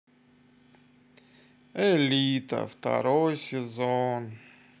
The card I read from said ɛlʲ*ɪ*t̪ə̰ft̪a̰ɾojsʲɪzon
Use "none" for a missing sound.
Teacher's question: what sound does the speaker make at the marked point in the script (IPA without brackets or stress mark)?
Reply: i